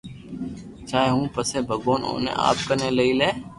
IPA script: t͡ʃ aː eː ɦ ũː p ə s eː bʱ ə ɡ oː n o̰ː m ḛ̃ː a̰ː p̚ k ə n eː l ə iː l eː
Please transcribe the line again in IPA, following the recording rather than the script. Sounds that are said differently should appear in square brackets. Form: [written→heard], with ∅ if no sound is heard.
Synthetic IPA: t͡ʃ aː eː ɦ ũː p ə s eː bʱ ə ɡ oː n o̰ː [m→n] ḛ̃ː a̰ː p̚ k ə n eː l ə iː l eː